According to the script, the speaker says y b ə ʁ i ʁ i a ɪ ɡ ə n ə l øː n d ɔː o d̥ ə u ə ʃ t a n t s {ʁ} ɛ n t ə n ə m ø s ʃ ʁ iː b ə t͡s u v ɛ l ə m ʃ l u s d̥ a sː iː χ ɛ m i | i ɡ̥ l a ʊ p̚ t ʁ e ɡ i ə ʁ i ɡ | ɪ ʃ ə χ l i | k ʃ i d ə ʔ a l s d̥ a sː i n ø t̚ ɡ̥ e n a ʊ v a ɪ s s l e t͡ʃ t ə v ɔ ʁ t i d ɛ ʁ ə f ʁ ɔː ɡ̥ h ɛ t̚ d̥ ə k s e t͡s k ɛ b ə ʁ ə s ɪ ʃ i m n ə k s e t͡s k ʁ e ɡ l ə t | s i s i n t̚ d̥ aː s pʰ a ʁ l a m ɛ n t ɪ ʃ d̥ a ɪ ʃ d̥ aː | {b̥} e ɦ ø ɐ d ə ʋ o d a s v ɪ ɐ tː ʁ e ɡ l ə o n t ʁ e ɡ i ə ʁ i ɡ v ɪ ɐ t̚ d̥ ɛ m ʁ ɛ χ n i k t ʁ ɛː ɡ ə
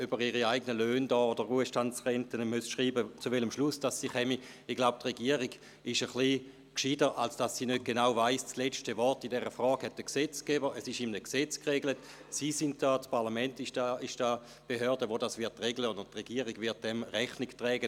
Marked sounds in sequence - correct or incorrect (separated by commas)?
correct, correct